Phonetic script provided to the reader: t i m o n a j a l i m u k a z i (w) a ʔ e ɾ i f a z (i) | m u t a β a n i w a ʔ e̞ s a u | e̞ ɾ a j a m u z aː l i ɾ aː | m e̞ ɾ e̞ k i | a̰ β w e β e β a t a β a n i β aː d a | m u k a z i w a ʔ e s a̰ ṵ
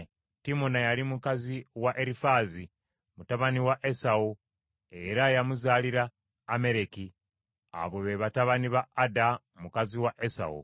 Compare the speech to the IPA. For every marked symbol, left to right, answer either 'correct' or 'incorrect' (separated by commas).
correct, correct